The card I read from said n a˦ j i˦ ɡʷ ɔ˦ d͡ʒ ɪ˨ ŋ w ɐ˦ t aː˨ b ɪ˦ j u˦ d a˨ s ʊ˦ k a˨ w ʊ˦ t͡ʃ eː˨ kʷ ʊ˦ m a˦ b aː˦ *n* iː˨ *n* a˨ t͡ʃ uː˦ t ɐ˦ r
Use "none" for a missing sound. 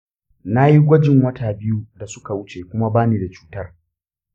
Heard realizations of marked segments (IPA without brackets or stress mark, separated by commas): n, d